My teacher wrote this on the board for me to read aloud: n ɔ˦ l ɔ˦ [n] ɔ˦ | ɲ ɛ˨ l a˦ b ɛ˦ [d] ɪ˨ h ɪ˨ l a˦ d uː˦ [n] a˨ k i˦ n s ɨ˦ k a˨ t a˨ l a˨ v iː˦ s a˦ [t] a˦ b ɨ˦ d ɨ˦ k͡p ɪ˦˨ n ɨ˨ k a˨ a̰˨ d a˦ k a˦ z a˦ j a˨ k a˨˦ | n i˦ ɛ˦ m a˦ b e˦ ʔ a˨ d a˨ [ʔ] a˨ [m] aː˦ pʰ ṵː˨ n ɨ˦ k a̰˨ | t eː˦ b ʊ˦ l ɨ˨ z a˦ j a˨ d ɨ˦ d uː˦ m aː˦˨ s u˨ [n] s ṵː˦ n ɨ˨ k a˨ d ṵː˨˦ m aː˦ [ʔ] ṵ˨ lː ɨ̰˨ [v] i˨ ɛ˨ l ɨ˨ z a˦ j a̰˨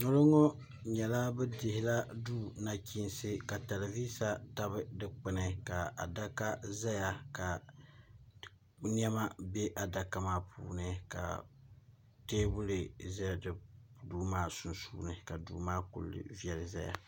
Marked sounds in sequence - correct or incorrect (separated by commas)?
incorrect, correct, correct, correct, incorrect, correct, correct, incorrect, correct